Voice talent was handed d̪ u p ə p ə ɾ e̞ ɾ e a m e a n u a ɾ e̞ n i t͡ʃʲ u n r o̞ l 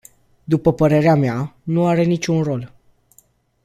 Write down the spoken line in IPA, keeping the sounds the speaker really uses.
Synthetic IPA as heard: d̪ u p ə p ə ɾ e̞ ɾ e a m e a n u a ɾ e̞ n i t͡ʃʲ u n r o̞ l